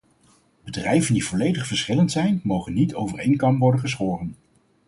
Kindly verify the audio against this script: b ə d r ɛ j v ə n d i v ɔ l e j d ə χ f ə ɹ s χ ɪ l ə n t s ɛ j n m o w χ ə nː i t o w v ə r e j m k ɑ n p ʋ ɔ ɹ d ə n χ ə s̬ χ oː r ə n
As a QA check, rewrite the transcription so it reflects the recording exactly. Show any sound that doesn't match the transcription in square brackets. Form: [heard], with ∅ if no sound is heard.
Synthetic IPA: b ə d r ɛ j v ə n d i v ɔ l e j d ə χ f ə ɹ s χ ɪ l ə n t s ɛ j n m o w χ ə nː i t o w v ə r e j [ŋ] k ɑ [m] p ʋ ɔ ɹ d ə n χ ə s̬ χ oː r ə n